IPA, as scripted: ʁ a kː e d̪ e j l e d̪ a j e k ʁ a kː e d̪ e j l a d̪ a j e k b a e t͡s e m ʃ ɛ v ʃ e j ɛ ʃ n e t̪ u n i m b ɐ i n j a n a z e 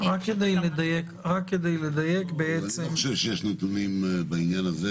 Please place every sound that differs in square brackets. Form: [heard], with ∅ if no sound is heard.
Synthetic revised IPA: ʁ a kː e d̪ e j l e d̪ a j e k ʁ a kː e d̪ e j l [e] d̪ a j e k b [e] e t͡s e m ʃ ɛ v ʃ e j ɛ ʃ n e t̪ u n i m b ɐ i n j a n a z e